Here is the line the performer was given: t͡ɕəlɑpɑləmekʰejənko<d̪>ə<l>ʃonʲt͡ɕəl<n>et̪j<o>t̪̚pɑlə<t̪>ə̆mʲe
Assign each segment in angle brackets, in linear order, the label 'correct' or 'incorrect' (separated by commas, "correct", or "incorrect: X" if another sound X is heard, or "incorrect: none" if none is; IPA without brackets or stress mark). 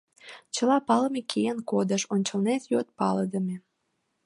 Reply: correct, incorrect: none, correct, correct, incorrect: d̪